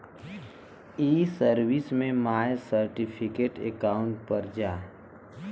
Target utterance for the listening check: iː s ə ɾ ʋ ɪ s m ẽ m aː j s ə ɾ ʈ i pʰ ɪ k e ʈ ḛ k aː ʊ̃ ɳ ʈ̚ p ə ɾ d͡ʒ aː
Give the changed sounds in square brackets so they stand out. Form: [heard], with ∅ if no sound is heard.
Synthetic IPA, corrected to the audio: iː s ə ɾ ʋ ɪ s m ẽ m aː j s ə ɾ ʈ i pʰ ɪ k e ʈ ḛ k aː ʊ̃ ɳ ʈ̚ p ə ɾ d͡ʒ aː